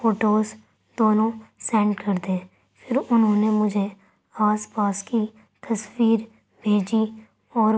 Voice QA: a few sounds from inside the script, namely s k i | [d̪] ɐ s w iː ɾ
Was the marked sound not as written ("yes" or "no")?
yes